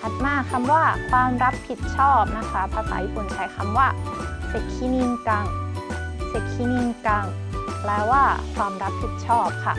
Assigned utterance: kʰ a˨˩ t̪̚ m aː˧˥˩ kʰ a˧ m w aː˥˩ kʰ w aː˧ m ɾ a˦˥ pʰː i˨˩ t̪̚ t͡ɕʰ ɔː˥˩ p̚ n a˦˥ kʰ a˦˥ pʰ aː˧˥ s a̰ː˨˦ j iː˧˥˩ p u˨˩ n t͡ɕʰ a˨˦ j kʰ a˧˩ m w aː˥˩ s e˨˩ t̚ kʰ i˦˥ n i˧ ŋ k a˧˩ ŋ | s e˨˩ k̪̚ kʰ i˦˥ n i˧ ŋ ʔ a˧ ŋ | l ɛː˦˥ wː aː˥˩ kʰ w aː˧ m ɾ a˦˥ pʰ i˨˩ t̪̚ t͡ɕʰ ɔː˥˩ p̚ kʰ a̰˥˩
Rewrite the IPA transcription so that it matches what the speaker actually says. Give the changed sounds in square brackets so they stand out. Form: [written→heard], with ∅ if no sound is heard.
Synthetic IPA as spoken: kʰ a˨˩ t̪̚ m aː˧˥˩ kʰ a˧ m w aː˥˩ kʰ w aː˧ m ɾ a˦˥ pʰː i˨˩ t̪̚ t͡ɕʰ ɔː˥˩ p̚ n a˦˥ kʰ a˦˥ pʰ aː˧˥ s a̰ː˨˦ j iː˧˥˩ p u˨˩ n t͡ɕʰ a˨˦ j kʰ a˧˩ m w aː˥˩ s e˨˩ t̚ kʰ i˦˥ n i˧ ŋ k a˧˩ ŋ | s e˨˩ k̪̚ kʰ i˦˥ n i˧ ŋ [ʔ→k] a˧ ŋ | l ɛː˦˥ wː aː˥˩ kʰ w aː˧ m ɾ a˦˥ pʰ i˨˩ t̪̚ t͡ɕʰ ɔː˥˩ p̚ kʰ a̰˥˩